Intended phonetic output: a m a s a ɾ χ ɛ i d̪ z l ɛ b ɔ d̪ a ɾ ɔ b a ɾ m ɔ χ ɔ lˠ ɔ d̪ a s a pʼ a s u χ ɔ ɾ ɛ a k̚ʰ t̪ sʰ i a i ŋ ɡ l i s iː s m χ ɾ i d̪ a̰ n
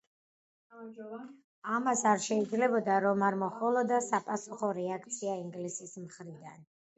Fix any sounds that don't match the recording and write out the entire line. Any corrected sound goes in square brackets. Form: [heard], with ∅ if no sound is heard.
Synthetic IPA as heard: a m a s a ɾ [ʃ] ɛ i d̪ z l ɛ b ɔ d̪ a ɾ ɔ [m] a ɾ m ɔ χ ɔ lˠ ɔ d̪ a s a pʼ a s u χ ɔ ɾ ɛ a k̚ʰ t̪ sʰ i a i ŋ ɡ l i s [i] s m χ ɾ i d̪ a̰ n